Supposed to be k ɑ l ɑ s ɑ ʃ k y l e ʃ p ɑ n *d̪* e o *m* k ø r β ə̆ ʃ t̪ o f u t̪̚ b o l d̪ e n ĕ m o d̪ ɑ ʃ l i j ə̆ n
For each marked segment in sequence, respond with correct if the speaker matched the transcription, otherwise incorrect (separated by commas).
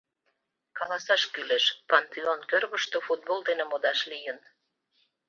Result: incorrect, incorrect